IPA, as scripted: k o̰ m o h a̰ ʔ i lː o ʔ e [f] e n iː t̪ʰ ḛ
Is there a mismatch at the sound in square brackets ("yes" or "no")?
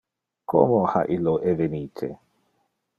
yes